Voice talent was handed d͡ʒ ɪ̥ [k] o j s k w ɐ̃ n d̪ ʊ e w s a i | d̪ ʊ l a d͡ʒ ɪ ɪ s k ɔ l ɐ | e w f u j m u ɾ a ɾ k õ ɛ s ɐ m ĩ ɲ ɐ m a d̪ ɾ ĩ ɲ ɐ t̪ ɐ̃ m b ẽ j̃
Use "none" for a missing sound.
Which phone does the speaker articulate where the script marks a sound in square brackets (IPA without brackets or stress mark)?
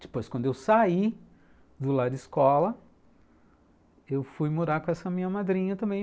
p